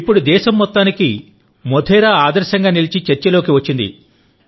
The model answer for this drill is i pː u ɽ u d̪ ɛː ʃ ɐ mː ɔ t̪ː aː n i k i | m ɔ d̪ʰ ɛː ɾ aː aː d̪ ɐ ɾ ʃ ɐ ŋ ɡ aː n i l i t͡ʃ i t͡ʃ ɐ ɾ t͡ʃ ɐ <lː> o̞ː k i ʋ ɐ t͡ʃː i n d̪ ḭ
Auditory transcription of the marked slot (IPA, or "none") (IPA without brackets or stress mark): l